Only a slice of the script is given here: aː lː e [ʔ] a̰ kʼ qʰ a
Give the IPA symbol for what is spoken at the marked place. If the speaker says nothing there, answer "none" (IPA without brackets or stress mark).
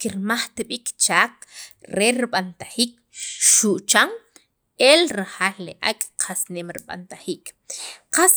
ʔ